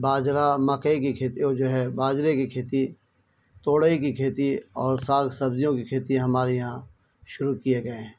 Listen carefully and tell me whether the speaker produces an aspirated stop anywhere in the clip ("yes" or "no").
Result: yes